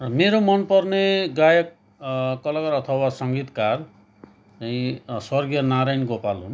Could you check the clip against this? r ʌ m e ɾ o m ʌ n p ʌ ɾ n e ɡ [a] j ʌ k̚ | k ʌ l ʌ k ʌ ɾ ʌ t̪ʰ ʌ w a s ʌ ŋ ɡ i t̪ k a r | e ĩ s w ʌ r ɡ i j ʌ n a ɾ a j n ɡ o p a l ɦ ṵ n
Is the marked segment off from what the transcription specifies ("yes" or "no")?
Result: no